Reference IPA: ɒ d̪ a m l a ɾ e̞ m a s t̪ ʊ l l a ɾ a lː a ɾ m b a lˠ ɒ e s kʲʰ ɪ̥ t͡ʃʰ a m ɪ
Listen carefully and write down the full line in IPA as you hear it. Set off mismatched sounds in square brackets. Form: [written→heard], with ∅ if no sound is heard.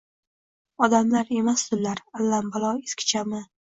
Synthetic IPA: ɒ d̪ a m l a ɾ e̞ m a s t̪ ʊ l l a ɾ a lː a [ɾ→∅] m b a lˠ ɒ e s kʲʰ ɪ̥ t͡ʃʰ a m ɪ